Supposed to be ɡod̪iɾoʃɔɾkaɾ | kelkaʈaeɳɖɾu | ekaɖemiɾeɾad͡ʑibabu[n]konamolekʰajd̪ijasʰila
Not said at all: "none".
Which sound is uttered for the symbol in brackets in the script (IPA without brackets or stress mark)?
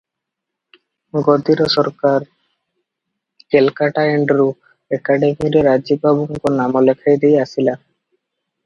ŋ